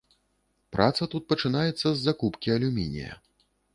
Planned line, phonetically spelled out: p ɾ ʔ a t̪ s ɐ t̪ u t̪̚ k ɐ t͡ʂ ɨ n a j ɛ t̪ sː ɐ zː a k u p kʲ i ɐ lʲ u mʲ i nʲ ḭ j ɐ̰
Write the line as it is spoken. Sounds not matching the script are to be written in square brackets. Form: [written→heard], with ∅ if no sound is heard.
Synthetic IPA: p ɾ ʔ a t̪ s ɐ t̪ u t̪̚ [k→p] ɐ t͡ʂ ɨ n a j ɛ t̪ sː ɐ zː a k u p kʲ i ɐ lʲ u mʲ i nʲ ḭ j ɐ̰